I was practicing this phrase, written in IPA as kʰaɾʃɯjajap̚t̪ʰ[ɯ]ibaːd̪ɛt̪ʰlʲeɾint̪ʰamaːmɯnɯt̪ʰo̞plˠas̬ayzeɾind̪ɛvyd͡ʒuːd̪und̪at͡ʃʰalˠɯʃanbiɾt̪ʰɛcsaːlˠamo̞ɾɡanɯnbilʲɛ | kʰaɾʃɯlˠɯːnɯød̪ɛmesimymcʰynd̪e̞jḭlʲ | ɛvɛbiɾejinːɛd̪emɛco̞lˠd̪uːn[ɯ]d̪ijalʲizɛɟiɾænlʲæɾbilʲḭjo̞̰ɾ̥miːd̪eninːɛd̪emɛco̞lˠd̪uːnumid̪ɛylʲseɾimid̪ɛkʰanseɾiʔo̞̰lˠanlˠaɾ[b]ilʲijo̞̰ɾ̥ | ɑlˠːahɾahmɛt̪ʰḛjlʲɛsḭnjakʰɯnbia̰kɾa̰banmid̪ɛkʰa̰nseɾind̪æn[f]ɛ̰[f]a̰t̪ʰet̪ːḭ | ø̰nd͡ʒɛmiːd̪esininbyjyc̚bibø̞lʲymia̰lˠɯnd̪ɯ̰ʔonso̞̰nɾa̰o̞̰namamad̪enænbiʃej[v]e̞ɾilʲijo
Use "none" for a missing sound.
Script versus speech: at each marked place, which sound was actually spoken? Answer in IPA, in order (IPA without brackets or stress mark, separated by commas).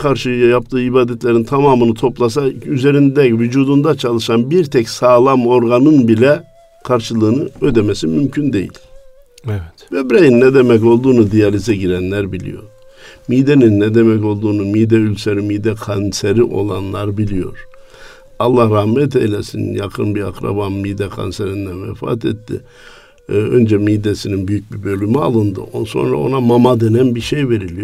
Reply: ɯː, u, b, v, f, v